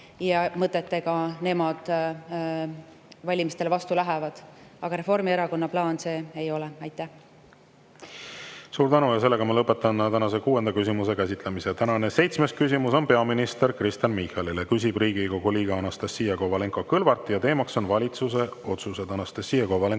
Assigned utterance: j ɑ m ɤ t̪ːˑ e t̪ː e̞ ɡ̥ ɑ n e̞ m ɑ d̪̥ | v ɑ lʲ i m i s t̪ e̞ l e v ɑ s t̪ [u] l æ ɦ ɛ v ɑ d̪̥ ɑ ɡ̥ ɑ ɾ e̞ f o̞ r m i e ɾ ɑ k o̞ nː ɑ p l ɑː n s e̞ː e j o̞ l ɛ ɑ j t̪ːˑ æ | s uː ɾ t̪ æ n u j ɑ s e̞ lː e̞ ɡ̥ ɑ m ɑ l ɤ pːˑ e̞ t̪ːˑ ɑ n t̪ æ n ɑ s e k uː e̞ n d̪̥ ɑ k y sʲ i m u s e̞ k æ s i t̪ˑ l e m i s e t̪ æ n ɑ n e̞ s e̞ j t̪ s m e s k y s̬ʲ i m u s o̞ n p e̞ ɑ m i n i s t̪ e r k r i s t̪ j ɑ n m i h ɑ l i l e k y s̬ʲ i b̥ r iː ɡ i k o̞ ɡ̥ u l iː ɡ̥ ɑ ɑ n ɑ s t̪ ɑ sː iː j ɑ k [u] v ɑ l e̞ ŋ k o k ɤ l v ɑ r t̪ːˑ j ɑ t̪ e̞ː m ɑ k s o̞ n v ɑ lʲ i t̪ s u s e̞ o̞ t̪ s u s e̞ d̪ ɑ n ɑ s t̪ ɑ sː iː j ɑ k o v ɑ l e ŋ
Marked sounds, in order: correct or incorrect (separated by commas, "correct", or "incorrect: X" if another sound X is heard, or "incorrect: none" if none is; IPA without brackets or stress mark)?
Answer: correct, incorrect: o